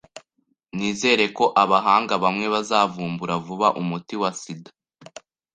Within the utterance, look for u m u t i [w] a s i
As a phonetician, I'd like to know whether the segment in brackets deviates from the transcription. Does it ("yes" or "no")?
no